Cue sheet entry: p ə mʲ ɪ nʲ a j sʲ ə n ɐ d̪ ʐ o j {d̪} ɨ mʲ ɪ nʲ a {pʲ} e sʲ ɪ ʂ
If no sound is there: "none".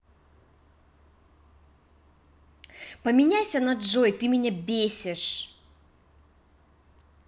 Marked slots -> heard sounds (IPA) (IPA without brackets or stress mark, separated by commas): t̪, bʲ